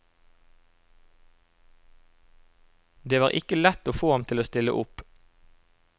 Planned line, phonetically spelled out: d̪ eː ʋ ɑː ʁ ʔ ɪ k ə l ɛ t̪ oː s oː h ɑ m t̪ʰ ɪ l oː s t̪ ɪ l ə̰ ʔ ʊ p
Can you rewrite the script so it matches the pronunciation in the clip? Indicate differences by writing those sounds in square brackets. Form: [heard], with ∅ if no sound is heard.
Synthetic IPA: d̪ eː ʋ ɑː ʁ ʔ ɪ k ə l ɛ t̪ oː [f] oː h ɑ m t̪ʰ ɪ l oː s t̪ ɪ l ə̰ ʔ ʊ p